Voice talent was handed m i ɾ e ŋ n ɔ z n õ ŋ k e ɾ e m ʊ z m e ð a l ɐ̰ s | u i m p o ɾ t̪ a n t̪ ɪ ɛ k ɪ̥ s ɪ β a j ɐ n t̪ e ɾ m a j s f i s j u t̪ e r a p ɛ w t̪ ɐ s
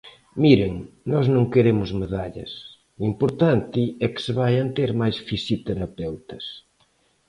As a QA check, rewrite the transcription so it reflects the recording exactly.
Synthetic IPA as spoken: m i ɾ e ŋ n ɔ z n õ ŋ k e ɾ e m ʊ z m e ð a ʎ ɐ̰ s | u i m p o ɾ t̪ a n t̪ ɪ ɛ k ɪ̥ s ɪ β a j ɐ n t̪ e ɾ m a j s f i s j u t̪ e ɾ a p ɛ w t̪ ɐ s